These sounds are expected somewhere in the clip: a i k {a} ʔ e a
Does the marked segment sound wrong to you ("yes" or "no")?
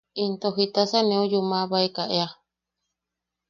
no